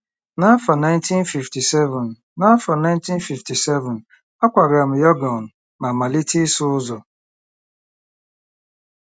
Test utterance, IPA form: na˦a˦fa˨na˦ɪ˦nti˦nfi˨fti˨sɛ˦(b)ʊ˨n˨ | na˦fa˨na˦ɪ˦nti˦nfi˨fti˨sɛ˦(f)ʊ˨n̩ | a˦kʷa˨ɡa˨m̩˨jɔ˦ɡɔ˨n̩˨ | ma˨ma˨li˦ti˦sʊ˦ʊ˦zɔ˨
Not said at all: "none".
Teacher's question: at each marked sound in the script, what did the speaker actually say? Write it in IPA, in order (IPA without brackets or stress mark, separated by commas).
v, v